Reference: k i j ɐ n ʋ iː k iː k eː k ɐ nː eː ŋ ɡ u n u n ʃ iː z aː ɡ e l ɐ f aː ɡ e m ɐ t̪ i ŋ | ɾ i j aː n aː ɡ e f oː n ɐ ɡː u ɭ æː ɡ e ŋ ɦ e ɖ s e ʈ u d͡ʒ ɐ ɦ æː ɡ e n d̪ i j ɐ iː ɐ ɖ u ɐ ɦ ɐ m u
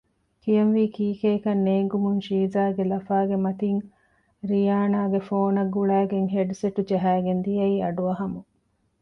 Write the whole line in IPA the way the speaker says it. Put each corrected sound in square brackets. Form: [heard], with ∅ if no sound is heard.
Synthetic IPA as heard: k i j ɐ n ʋ iː k iː k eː k ɐ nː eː ŋ ɡ u [m] u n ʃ iː z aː ɡ e l ɐ f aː ɡ e m ɐ t̪ i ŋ | ɾ i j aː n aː ɡ e f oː n ɐ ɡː u ɭ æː ɡ e ŋ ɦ e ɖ s e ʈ u d͡ʒ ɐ ɦ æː ɡ e n d̪ i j ɐ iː ɐ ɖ u ɐ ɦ ɐ m u